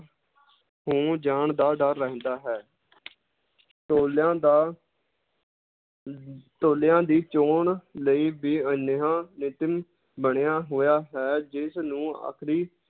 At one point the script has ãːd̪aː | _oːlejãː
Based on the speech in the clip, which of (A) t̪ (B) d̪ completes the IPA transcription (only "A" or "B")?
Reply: A